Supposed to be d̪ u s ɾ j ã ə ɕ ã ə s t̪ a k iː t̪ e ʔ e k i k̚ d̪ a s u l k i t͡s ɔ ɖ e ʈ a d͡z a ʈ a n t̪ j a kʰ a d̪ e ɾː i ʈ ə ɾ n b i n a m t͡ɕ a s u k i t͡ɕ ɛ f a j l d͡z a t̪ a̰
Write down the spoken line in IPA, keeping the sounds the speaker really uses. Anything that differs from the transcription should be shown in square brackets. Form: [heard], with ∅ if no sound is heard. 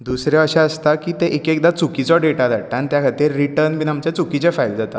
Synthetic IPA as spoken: d̪ u s ɾ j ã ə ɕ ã ə s t̪ a k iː t̪ e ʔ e k [e] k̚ d̪ a [t͡s] u [∅] k i t͡s ɔ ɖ e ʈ a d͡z a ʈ a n t̪ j a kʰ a [t̪] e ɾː i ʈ ə ɾ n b i n a m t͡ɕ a [t͡s] u k i t͡ɕ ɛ f a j l d͡z a t̪ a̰